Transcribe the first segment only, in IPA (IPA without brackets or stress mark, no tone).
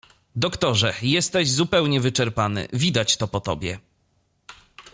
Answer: d̪